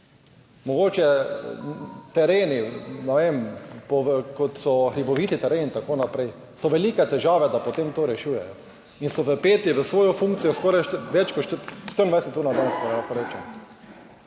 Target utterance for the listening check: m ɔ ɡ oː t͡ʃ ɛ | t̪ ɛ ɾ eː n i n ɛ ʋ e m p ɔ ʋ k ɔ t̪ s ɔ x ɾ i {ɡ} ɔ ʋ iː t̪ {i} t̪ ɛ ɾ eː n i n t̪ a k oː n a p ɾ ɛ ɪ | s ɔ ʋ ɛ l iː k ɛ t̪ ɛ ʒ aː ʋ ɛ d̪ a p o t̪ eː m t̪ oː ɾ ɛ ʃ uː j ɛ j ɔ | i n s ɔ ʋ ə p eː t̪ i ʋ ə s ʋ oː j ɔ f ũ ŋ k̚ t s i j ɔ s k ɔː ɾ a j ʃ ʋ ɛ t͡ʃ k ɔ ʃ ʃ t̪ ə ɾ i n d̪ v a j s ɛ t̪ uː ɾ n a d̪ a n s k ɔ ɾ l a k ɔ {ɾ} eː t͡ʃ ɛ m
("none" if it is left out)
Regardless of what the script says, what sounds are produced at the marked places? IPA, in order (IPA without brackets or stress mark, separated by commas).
b, i, ɾ